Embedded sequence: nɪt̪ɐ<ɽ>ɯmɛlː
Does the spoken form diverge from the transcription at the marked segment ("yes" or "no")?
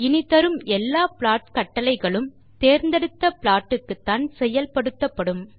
yes